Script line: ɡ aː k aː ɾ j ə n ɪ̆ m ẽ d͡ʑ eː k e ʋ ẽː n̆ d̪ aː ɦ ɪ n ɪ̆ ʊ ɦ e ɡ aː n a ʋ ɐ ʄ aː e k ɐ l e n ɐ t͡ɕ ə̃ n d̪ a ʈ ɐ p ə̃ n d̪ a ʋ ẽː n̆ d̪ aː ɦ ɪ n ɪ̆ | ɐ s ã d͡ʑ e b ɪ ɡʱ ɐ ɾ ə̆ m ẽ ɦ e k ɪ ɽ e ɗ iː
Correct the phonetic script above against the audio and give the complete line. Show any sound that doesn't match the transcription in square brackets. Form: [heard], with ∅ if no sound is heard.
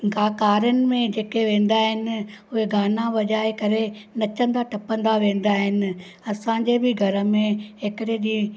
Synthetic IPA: ɡ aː k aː ɾ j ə n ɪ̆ m ẽ d͡ʑ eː k e ʋ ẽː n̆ d̪ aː ɦ ɪ n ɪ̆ ʊ ɦ e ɡ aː n a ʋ ɐ ʄ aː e k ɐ [ɾ] e n ɐ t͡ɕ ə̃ n d̪ a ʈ ɐ p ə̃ n d̪ a ʋ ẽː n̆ d̪ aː ɦ ɪ n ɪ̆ | ɐ s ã d͡ʑ e b ɪ ɡʱ ɐ ɾ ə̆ m ẽ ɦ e k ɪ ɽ e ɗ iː

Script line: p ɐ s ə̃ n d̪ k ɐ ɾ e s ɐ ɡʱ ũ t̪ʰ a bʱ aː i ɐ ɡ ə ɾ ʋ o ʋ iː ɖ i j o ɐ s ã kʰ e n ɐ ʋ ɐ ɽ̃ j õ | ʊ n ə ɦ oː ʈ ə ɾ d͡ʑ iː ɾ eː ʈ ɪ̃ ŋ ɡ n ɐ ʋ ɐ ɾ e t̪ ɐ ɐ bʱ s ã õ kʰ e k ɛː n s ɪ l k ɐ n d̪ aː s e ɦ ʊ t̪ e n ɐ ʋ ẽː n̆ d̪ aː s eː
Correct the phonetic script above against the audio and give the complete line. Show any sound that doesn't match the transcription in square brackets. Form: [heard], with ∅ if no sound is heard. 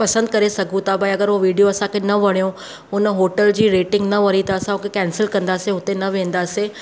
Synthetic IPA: p ɐ s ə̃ n d̪ k ɐ ɾ e s ɐ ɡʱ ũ [t̪] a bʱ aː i ɐ ɡ ə ɾ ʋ o ʋ iː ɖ i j o ɐ s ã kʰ e n ɐ ʋ ɐ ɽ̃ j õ | ʊ n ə ɦ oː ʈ ə [l] d͡ʑ iː ɾ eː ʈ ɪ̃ ŋ ɡ n ɐ ʋ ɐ ɾ [i] t̪ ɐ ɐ [∅] s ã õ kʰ e k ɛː n s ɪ l k [ɐ̃] n d̪ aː s e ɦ ʊ t̪ e n ɐ ʋ ẽː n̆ d̪ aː s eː

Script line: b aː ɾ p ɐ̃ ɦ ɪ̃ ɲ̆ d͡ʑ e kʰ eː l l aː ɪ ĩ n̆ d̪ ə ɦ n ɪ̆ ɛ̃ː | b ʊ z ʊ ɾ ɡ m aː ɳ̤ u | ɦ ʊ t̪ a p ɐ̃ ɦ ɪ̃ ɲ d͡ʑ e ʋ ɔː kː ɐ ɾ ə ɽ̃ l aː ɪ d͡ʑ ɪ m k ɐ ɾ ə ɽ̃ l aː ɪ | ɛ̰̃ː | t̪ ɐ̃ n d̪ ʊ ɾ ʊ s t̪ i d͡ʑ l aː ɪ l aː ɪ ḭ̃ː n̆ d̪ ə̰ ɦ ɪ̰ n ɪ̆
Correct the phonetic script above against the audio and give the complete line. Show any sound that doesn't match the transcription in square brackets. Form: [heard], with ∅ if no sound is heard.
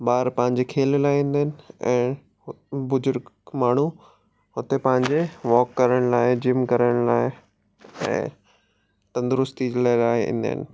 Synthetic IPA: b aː ɾ p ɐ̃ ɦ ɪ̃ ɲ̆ d͡ʑ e kʰ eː l l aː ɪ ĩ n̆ d̪ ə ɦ n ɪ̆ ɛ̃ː | b ʊ z ʊ ɾ ɡ m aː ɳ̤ u | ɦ ʊ t̪ [e] p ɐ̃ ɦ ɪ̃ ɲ d͡ʑ e ʋ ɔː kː ɐ ɾ ə ɽ̃ l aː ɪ d͡ʑ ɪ m k ɐ ɾ ə ɽ̃ l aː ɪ | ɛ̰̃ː | t̪ ɐ̃ n d̪ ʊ ɾ ʊ s t̪ i d͡ʑ l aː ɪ l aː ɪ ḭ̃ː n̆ d̪ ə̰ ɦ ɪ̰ n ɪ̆

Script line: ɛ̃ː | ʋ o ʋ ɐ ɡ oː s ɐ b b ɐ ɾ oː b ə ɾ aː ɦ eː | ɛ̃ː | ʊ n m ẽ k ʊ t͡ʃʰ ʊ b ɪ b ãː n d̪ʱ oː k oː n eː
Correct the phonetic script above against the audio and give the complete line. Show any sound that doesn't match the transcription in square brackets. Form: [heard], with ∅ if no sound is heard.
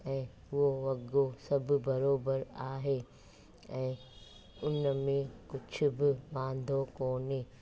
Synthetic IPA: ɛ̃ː | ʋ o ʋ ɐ ɡ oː s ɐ b b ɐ ɾ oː b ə ɾ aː ɦ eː | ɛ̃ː | ʊ n m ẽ k ʊ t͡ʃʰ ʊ b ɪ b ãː n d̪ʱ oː k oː n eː

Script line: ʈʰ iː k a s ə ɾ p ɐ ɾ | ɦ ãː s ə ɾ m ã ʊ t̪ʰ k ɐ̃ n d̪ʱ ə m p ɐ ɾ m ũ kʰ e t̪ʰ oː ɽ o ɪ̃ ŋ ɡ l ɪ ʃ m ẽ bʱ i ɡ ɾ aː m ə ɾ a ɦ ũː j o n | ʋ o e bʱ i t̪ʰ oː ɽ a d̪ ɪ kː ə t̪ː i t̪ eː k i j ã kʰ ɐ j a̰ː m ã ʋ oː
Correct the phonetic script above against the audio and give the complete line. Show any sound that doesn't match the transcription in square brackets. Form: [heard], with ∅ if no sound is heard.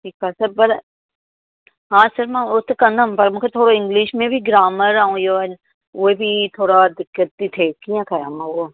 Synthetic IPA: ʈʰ iː k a s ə ɾ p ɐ ɾ | ɦ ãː s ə ɾ m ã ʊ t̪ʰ k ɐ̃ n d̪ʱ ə m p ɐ ɾ m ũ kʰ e t̪ʰ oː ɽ o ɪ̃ ŋ ɡ l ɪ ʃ m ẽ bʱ i ɡ ɾ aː m ə ɾ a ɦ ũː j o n | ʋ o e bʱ i t̪ʰ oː ɽ a d̪ ɪ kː ə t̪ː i [t̪ʰ] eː k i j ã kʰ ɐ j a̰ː m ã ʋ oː

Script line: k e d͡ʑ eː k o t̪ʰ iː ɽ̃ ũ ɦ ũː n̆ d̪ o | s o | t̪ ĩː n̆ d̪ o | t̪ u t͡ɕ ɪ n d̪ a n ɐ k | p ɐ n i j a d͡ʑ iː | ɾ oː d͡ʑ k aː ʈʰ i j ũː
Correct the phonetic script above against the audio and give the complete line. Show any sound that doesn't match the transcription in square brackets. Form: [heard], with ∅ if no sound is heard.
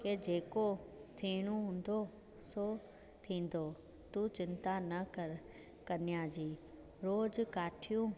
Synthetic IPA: k e d͡ʑ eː k o t̪ʰ iː ɽ̃ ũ ɦ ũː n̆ d̪ o | s o | [t̪ʰ] ĩː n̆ d̪ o | t̪ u t͡ɕ ɪ n [t̪] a n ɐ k | [k] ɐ n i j a d͡ʑ iː | ɾ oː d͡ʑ k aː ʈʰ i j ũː

